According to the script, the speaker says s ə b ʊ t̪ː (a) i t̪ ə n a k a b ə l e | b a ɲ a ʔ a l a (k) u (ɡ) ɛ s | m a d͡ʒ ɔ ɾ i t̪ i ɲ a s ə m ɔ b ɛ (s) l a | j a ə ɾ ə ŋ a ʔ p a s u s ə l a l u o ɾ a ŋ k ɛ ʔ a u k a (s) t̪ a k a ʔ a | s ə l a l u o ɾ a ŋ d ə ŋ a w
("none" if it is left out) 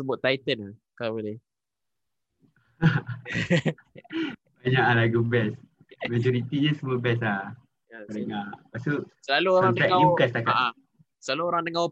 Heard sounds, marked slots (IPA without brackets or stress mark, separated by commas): a, ɡ, b, s, s